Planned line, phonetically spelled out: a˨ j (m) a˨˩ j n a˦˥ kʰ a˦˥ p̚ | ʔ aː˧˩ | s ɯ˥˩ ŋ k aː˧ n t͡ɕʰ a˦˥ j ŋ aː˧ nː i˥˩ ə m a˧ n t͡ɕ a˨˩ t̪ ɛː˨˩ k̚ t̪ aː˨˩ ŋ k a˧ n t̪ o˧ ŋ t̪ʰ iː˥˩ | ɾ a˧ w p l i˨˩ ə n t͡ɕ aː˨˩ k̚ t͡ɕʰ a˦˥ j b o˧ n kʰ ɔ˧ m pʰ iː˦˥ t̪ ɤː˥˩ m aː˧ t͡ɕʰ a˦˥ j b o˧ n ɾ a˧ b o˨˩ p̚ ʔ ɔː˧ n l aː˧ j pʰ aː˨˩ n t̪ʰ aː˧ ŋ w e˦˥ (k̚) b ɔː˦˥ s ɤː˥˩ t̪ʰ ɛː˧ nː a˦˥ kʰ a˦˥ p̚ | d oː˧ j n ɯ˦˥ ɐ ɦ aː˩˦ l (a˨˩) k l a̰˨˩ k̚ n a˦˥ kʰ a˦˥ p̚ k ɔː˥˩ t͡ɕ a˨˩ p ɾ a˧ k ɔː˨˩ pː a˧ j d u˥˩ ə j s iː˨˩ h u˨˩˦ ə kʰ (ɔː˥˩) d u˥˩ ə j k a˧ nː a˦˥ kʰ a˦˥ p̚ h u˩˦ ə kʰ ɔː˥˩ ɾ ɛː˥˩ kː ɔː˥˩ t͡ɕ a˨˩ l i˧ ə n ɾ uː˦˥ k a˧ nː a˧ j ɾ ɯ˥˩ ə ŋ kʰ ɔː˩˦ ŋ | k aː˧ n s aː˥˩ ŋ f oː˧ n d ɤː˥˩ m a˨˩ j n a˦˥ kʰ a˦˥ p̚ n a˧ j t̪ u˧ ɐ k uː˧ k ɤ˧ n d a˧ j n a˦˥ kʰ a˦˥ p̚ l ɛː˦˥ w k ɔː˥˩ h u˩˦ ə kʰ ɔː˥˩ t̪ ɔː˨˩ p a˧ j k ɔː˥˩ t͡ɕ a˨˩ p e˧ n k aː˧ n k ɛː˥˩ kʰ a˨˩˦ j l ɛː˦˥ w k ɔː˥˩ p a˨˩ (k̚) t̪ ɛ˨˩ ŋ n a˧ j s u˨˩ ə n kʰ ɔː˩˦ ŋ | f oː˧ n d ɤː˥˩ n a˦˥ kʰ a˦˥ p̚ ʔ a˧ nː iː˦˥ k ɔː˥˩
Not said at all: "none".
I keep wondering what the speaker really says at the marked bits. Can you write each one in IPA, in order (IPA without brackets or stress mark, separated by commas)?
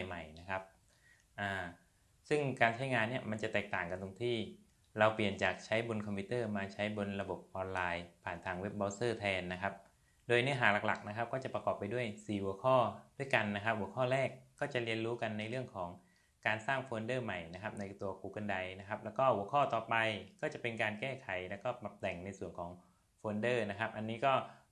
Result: m, p̚, a˨˩, ɔː˥˩, p̚